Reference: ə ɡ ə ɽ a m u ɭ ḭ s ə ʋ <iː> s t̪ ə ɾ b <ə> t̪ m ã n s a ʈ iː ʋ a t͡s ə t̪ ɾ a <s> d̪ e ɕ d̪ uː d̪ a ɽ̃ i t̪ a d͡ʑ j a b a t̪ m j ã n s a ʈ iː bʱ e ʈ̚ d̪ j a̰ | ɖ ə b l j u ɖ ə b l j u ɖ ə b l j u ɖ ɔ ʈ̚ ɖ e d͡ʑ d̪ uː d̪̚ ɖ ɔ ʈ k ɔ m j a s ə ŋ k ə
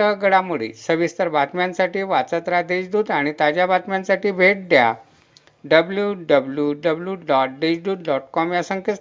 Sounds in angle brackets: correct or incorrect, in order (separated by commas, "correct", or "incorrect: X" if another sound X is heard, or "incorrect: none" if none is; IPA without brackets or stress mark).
incorrect: i, incorrect: a, incorrect: none